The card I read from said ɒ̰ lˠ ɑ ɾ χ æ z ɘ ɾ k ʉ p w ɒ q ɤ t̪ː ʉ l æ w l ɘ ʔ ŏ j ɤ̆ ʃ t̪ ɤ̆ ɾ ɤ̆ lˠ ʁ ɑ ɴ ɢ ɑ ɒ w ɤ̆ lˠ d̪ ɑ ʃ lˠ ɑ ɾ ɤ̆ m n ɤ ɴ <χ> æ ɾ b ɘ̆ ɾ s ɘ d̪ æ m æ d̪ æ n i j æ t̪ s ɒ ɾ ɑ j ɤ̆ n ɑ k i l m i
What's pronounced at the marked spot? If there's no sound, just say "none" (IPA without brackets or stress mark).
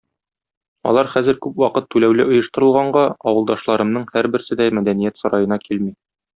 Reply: h